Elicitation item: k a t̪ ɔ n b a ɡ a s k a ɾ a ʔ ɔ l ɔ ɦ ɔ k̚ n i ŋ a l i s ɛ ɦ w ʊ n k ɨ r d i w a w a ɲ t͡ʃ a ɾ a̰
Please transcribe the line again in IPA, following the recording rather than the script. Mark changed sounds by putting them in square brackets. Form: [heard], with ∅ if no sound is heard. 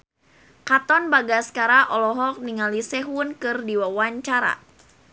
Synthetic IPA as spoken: k a t̪ ɔ n b a ɡ a s k a ɾ a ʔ ɔ l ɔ ɦ ɔ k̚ n i ŋ a l i s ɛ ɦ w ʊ n k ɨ r d i w a w a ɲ t͡ʃ a ɾ a̰